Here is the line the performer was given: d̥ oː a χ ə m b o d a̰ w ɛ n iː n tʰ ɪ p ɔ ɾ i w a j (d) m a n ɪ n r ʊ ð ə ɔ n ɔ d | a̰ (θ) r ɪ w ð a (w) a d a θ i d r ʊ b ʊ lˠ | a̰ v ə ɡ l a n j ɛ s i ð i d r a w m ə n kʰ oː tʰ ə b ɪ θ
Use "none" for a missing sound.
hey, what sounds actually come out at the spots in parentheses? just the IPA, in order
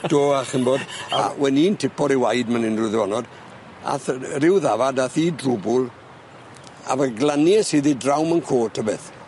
d, θ, v

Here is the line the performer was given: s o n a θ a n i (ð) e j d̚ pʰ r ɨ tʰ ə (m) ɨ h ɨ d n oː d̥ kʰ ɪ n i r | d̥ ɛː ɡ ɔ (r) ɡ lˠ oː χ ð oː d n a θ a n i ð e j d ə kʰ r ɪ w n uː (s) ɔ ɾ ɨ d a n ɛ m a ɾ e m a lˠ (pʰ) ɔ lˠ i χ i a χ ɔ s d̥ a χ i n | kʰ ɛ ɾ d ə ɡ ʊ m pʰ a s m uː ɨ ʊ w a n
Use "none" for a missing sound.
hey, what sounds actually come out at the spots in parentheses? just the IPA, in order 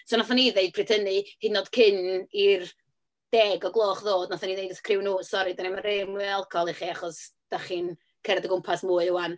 ð, n, none, s, kʰ

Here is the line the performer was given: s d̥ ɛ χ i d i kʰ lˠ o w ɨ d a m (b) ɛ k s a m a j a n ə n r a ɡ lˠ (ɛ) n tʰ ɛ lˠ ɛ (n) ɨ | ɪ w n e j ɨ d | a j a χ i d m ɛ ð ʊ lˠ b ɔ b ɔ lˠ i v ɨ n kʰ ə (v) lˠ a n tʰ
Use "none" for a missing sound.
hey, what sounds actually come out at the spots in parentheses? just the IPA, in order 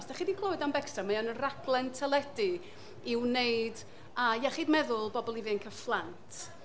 b, ɛ, d, f

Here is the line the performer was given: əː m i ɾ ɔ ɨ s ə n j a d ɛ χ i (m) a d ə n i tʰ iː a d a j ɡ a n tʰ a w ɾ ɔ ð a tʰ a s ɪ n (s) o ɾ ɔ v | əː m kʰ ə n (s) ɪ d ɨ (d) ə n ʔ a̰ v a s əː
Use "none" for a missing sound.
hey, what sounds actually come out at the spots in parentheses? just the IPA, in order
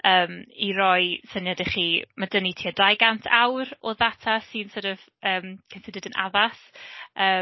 m, s, s, d

